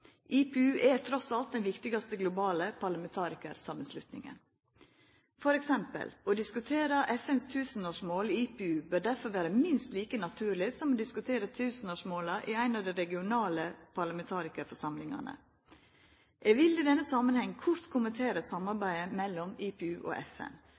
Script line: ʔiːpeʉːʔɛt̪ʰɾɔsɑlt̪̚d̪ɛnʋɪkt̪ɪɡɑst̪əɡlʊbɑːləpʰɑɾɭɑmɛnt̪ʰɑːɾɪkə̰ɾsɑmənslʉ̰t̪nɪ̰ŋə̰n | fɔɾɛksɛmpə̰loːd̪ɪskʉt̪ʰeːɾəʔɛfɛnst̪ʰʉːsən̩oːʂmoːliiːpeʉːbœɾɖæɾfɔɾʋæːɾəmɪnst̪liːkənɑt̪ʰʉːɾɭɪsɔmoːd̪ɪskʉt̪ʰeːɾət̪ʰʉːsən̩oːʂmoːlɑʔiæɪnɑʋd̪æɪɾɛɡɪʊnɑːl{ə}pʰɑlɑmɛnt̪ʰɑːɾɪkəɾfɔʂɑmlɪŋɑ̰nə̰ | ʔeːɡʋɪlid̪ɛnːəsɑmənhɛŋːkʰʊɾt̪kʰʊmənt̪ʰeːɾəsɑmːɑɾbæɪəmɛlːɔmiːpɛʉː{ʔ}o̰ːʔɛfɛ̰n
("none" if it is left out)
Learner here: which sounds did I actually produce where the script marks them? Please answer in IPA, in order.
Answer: ə, ʔ

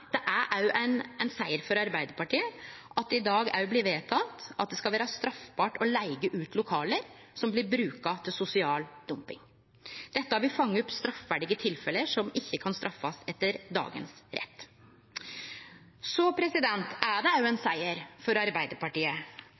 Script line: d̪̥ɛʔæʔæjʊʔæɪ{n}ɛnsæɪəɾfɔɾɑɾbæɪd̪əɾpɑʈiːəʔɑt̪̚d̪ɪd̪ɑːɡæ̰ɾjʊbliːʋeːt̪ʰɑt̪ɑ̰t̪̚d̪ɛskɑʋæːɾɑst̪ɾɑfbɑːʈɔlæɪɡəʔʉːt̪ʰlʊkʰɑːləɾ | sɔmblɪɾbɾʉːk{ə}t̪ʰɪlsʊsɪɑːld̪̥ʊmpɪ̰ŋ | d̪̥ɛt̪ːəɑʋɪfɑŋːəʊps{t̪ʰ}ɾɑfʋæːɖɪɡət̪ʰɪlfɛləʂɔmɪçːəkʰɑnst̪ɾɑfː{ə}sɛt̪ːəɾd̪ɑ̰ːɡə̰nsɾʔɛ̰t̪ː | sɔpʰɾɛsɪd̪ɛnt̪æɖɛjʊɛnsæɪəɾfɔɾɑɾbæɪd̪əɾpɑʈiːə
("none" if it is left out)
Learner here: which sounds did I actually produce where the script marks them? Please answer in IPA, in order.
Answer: n, ɑ, t̪, ɑ

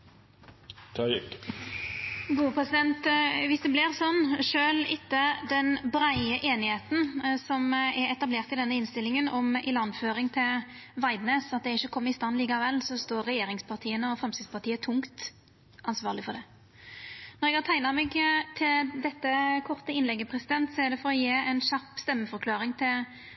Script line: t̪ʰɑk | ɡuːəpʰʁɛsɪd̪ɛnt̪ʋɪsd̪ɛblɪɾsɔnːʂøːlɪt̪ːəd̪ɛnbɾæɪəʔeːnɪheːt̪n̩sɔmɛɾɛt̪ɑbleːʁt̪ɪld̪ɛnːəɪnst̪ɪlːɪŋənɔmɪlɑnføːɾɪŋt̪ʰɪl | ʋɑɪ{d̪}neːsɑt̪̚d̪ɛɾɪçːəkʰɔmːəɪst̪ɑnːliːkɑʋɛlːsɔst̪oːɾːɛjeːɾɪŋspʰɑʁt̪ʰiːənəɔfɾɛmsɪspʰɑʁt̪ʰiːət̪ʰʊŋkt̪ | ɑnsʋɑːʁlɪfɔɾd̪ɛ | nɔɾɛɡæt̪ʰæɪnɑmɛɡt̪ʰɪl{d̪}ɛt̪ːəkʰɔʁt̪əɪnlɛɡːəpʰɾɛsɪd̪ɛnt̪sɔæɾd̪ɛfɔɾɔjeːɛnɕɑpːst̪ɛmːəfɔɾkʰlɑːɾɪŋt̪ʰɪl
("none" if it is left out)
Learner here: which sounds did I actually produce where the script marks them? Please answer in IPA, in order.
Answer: d̪, d̪

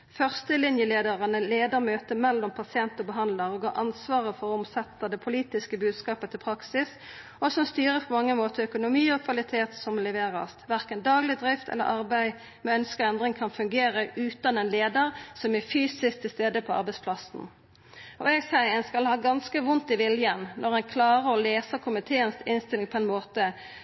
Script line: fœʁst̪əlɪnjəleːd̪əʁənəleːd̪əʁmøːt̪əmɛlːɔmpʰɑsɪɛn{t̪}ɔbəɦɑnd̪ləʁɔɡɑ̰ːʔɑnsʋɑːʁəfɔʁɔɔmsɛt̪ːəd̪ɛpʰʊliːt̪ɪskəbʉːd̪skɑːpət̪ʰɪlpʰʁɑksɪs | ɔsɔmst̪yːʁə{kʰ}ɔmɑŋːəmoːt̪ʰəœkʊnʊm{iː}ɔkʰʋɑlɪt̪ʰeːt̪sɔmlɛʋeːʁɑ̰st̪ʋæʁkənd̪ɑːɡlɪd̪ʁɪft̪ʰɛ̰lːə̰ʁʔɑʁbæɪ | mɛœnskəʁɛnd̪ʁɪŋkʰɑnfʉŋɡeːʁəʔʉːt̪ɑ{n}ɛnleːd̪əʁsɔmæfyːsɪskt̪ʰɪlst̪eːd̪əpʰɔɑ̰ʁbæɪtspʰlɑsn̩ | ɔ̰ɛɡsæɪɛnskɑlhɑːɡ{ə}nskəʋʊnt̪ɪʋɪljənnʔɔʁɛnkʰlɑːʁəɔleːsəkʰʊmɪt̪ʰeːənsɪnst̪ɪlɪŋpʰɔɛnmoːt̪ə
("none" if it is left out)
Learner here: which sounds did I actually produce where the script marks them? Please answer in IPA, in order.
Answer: t̪, pʰ, iː, n, ɑ

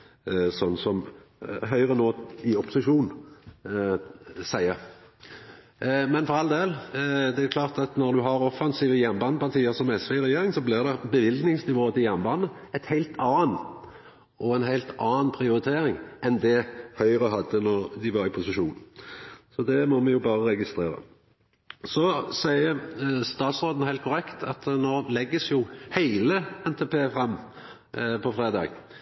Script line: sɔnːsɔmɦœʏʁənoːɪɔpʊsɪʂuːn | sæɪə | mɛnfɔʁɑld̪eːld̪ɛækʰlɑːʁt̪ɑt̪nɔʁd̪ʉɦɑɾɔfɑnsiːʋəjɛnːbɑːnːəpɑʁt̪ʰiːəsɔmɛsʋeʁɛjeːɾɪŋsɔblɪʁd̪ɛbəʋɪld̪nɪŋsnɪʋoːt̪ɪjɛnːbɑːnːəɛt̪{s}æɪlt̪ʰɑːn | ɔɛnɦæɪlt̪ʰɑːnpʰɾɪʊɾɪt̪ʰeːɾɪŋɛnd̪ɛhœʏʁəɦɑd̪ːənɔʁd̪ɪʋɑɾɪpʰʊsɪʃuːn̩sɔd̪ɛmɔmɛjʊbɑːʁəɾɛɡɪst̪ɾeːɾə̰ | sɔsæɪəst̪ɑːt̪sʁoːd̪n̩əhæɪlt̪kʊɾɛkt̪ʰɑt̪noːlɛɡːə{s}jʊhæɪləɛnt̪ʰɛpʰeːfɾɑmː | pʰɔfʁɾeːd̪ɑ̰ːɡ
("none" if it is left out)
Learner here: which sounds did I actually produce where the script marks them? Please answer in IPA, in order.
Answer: h, s

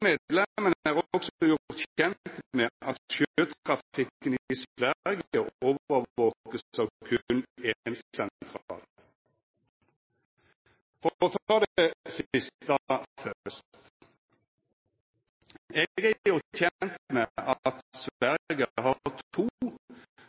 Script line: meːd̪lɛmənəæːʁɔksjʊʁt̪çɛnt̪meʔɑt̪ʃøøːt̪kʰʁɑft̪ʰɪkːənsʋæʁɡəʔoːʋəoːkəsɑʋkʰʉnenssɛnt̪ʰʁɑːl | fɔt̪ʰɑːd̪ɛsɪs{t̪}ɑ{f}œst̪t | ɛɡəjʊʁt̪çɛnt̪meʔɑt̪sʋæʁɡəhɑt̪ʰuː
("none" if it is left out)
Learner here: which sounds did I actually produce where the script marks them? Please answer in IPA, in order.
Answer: t̪, f

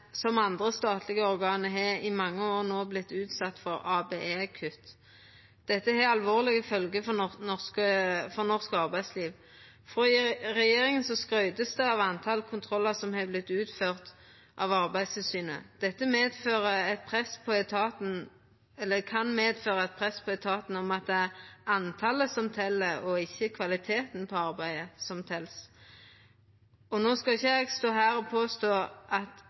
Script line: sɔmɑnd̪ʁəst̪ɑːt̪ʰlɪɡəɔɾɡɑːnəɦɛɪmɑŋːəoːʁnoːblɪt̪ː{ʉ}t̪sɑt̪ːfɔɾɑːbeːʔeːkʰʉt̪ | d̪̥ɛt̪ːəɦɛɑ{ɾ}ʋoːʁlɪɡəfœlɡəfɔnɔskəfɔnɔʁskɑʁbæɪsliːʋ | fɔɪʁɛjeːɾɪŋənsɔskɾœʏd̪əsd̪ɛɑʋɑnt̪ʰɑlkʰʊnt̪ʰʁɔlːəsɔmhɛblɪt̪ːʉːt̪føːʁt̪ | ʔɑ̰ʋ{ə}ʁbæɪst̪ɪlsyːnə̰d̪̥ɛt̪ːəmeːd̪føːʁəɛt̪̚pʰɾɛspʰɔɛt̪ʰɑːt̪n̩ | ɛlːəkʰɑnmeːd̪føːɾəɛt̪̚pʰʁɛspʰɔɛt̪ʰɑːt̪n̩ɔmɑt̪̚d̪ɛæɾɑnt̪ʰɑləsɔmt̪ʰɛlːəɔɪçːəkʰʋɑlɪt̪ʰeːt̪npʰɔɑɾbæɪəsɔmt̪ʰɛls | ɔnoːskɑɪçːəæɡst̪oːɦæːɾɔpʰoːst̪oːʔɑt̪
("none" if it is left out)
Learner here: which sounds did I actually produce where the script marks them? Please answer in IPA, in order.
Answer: ʉː, l, ɑ

